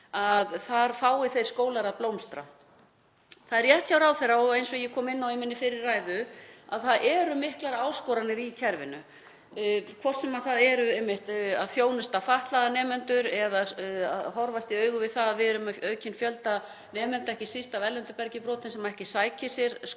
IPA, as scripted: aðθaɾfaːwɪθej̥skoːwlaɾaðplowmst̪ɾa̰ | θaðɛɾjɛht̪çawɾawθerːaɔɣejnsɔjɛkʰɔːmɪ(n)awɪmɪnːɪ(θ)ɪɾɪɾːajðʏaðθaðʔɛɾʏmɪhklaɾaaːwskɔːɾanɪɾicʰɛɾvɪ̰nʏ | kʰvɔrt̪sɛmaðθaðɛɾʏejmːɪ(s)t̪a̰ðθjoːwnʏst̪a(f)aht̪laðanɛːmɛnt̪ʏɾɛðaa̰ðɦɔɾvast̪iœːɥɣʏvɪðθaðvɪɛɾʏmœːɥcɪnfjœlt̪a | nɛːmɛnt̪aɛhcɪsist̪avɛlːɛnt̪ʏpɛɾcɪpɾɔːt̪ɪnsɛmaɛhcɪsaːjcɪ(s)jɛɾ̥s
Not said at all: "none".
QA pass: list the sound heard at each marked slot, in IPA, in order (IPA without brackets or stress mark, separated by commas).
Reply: nː, f, h, f, s